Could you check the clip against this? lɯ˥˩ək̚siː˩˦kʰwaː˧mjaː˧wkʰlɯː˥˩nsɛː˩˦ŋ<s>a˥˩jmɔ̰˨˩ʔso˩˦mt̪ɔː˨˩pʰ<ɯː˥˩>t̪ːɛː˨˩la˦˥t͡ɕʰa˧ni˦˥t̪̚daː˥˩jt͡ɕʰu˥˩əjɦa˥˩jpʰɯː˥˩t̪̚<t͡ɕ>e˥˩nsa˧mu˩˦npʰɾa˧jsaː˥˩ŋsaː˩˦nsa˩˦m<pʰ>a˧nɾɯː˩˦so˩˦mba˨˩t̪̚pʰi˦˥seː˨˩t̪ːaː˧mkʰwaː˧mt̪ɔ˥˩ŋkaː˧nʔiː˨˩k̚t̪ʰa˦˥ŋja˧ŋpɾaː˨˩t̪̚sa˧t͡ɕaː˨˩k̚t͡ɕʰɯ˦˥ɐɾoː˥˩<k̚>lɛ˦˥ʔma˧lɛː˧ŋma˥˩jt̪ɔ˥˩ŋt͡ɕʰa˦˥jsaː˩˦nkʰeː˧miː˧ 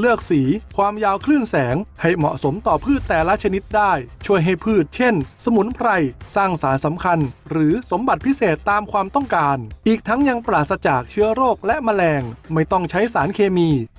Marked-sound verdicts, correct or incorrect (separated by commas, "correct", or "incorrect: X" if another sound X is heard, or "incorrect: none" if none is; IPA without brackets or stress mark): incorrect: h, correct, incorrect: t͡ɕʰ, incorrect: kʰ, correct